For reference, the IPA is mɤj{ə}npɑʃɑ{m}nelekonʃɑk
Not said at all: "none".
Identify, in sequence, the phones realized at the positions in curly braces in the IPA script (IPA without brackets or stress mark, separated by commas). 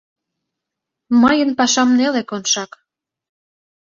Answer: ə, m